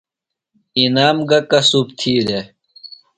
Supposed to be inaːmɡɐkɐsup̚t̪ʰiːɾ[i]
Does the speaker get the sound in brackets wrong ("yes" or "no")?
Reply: yes